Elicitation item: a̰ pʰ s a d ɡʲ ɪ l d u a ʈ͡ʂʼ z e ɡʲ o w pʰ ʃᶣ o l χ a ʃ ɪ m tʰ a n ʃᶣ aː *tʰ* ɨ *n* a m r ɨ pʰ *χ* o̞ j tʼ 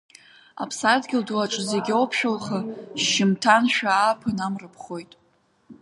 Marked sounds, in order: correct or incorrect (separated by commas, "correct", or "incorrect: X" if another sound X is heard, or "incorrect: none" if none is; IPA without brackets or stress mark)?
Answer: incorrect: pʰ, correct, correct